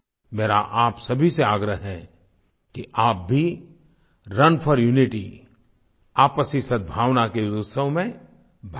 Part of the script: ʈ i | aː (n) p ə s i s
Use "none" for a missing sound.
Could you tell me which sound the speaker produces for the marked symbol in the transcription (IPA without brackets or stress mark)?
none